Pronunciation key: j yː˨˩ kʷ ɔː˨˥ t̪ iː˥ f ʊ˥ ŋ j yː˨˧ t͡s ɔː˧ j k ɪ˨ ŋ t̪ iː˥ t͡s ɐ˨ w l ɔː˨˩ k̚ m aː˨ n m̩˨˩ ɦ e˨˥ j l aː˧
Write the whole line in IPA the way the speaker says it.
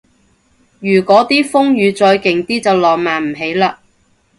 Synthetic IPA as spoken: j yː˨˩ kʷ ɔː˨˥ t̪ iː˥ f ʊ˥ ŋ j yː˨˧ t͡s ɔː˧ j k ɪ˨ ŋ t̪ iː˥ t͡s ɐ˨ w l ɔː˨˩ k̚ m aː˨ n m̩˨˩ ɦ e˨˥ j l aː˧